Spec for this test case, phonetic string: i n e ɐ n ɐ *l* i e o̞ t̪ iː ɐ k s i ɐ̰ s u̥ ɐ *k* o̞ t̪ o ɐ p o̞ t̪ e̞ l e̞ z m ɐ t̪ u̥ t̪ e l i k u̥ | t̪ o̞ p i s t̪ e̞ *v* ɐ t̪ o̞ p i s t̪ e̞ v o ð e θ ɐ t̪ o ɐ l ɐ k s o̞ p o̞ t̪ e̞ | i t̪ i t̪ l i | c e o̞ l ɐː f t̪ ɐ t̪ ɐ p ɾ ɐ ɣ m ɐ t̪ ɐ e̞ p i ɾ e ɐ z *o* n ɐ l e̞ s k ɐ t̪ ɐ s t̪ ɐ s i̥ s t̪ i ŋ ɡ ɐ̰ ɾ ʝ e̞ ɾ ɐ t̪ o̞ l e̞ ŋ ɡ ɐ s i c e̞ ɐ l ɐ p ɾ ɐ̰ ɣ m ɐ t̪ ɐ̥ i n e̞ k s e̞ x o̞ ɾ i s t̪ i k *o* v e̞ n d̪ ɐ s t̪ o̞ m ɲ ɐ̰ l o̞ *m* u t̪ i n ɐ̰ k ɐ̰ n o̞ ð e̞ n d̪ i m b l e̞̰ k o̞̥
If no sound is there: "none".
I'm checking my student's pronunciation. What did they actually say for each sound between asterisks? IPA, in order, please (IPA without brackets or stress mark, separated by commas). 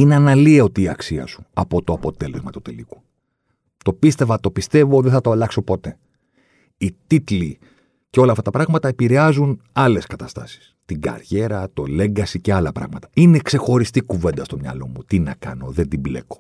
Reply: l, p, v, u, u, m